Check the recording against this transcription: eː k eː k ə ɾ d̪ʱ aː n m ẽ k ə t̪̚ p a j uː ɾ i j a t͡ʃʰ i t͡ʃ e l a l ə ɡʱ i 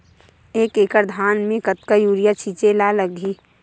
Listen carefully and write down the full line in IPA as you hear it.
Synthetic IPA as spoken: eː k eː k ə ɾ d̪ʱ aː n m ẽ k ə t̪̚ k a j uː ɾ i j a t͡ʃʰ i t͡ʃ e l a l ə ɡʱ i